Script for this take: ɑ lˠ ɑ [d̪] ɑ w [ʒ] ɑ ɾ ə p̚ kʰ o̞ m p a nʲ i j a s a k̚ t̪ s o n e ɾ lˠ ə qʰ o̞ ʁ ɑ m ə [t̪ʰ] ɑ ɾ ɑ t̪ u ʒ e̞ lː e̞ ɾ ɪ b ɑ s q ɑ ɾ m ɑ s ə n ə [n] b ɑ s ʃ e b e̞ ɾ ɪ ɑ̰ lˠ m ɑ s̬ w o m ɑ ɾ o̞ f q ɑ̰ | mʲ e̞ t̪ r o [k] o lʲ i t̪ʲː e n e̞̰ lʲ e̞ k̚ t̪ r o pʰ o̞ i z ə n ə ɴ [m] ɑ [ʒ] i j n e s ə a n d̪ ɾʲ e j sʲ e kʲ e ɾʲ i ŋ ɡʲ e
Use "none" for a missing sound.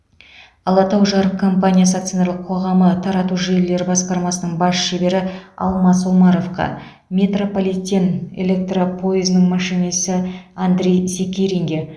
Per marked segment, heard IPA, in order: t̪, ʒ, t̪ʰ, ɴ, p, m, ʃ

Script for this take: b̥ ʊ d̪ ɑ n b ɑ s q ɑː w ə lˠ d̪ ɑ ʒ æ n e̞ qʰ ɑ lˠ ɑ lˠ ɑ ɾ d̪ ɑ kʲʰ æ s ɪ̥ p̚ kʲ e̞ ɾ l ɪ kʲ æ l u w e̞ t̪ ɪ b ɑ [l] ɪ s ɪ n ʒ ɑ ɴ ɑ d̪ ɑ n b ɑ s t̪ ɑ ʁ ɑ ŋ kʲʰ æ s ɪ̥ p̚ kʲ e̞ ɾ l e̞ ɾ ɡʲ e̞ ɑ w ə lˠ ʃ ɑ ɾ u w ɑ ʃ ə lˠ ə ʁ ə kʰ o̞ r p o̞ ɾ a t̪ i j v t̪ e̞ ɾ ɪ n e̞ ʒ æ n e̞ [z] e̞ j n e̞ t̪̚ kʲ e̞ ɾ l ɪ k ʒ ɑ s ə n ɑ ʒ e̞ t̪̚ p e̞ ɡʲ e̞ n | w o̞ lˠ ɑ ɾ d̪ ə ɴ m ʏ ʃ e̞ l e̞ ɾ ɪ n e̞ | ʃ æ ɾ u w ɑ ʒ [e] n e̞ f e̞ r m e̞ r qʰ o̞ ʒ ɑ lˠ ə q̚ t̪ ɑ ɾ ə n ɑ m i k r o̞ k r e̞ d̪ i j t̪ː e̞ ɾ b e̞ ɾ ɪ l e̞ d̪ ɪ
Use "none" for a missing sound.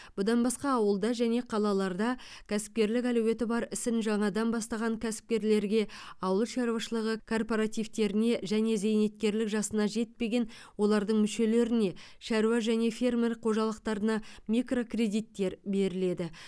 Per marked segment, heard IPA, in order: ɾ, z, æ

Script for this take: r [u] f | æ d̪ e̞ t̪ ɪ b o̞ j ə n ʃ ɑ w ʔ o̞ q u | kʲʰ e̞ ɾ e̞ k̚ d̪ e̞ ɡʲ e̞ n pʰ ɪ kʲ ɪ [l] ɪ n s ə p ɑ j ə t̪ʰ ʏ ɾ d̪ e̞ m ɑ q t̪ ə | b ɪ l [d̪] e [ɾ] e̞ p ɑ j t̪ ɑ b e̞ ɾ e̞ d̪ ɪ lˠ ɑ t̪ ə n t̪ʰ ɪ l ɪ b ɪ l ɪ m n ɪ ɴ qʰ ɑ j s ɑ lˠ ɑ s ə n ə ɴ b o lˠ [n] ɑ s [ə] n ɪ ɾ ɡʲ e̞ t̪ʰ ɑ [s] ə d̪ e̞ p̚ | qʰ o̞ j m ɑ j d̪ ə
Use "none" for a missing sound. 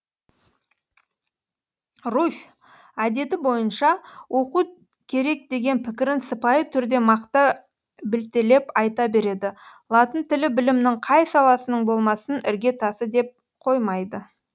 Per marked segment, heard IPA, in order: u, ɾ, t̪, l, m, ə, s

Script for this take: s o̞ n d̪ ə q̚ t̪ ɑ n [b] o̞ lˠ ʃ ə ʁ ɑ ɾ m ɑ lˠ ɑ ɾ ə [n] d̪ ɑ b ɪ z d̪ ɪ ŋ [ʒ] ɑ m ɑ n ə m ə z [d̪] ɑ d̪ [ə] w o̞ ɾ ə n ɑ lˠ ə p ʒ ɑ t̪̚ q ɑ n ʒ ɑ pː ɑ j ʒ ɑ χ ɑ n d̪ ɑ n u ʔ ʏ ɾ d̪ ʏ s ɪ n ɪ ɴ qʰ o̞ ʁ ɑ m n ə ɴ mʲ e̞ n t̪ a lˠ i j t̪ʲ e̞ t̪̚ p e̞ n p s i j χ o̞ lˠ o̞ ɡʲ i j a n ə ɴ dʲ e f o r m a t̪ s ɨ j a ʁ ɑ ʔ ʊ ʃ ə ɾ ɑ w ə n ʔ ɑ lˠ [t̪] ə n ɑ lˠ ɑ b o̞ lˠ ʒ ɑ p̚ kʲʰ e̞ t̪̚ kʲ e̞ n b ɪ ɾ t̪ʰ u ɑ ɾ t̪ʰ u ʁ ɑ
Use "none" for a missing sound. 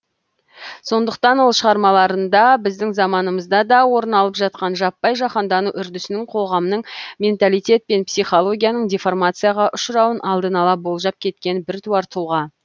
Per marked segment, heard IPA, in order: w, n, z, d̪, ɑ, d̪

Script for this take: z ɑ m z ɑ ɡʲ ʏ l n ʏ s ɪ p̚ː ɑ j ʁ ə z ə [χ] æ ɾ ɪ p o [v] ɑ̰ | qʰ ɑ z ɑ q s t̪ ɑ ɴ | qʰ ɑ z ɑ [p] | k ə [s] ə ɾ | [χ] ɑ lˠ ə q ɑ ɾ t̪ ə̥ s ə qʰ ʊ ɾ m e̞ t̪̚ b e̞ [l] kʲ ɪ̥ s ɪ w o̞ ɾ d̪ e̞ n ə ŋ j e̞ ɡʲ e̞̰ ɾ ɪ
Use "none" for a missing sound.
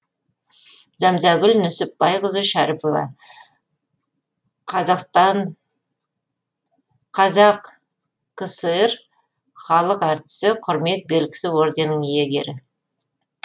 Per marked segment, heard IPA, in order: ʃ, v, q, s, χ, l

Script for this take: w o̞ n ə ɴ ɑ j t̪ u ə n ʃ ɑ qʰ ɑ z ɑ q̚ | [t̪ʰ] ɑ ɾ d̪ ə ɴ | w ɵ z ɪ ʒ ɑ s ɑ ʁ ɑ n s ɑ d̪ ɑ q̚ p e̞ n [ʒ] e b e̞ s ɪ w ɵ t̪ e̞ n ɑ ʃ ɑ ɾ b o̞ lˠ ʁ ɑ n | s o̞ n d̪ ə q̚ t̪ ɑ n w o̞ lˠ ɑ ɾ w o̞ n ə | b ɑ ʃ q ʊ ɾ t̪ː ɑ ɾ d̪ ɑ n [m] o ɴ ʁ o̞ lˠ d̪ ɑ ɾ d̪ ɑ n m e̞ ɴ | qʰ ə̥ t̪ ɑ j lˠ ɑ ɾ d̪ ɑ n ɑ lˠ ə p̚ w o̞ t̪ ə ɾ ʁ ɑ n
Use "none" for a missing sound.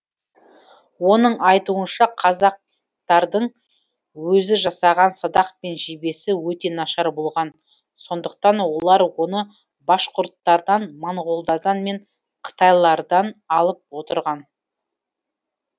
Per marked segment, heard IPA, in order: t̪, ʒ, m

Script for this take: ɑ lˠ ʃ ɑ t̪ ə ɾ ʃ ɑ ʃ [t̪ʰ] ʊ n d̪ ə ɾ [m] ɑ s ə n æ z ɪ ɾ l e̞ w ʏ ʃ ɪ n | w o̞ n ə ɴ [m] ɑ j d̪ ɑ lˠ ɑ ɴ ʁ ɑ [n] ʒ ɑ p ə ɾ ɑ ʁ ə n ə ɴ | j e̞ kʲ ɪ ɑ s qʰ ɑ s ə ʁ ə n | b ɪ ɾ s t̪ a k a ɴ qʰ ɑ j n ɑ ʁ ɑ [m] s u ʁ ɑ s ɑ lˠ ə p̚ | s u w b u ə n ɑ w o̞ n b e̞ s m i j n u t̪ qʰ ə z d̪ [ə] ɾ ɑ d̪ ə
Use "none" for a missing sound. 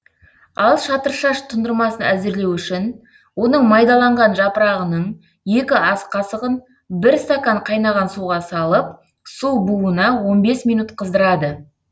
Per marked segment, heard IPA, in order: t̪ʰ, m, m, n, n, ə

